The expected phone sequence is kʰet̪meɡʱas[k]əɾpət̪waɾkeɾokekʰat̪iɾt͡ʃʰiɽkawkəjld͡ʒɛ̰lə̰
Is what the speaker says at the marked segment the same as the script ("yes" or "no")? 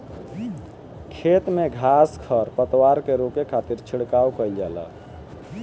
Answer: no